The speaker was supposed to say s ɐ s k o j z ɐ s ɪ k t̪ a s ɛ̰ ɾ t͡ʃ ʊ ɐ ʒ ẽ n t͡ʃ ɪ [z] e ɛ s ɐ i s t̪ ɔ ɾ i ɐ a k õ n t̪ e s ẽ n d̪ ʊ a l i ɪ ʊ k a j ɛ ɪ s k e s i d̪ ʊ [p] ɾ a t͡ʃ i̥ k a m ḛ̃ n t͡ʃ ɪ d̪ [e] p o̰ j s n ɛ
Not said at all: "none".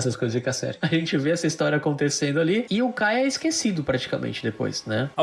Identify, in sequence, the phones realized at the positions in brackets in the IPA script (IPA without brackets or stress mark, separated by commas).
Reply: v, p, e